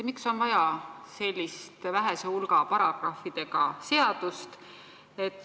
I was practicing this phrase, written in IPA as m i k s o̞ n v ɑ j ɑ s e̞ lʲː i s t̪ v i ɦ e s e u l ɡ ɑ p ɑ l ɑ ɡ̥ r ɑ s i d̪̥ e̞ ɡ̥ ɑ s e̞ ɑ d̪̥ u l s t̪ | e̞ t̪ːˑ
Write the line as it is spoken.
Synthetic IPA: m i k s o̞ n v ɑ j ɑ s e̞ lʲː i s t̪ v æ ɦ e s e u l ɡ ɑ p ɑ ɾ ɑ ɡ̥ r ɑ f i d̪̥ e̞ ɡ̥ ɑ s e̞ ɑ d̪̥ u s t̪ | e̞ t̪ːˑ